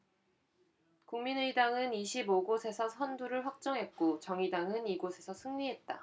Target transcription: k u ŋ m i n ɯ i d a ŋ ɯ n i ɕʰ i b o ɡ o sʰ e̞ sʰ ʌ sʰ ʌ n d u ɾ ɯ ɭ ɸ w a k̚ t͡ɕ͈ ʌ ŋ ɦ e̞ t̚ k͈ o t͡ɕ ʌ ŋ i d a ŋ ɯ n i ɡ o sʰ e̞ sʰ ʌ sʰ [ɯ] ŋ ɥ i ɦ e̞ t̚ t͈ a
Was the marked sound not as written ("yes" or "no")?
no